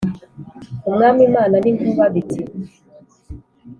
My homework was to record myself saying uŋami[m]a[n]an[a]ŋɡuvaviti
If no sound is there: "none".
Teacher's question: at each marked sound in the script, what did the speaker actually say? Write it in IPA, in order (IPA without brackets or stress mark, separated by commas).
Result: m, n, i